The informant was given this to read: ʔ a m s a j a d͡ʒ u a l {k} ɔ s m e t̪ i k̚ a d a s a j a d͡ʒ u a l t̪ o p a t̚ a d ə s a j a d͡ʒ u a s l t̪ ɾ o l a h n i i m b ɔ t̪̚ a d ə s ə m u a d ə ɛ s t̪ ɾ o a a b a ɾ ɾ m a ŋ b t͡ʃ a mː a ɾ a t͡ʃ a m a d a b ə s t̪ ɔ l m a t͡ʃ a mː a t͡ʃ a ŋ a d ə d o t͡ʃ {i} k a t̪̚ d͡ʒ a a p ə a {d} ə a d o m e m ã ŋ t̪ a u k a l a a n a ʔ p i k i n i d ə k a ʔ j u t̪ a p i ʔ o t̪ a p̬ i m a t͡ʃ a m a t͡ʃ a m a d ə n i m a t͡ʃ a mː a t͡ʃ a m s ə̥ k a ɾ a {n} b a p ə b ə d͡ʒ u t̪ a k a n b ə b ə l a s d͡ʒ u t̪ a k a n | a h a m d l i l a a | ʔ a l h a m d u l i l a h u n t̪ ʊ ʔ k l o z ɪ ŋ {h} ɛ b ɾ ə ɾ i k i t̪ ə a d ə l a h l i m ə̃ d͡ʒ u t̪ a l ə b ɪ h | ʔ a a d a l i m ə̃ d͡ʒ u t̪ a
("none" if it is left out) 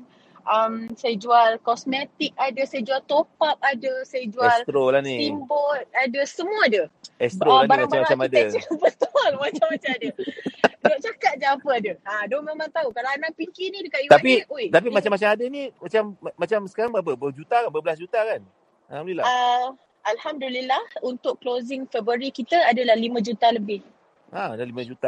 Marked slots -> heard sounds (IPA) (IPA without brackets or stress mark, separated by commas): k, a, d, ŋ, f